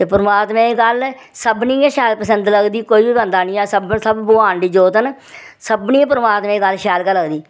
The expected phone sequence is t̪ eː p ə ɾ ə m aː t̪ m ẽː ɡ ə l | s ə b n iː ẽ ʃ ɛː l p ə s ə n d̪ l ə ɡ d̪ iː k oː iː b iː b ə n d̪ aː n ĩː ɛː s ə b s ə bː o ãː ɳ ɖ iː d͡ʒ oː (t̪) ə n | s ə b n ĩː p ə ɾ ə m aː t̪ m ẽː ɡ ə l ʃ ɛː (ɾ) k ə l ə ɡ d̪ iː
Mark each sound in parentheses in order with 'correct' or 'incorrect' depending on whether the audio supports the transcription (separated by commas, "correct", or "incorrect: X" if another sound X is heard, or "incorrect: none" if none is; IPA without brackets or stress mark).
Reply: correct, incorrect: l